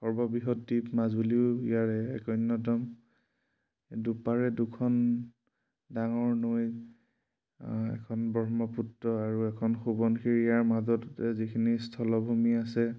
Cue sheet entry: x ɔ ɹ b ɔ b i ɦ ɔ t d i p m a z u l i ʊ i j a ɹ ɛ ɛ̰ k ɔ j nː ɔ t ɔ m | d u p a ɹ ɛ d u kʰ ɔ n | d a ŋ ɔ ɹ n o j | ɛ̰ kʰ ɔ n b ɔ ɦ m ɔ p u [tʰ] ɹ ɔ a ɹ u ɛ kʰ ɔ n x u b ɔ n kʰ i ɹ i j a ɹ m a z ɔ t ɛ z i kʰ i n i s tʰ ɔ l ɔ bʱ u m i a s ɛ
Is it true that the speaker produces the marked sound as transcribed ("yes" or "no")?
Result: no